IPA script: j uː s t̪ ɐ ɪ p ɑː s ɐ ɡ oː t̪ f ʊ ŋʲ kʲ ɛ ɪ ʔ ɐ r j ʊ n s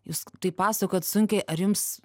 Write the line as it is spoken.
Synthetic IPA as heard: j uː s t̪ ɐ ɪ p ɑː s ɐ k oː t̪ s ʊ ŋʲ kʲ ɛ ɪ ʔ ɐ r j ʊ m s